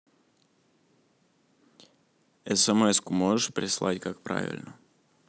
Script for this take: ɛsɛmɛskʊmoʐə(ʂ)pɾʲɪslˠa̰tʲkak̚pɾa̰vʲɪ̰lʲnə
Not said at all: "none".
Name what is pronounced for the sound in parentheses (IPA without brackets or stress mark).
ʂ